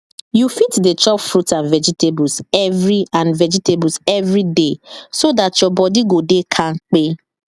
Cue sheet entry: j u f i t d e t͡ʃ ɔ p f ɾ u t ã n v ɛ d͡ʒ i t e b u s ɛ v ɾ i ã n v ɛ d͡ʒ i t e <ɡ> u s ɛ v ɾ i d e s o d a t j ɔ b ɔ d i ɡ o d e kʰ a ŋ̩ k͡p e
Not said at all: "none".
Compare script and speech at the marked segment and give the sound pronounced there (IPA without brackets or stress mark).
b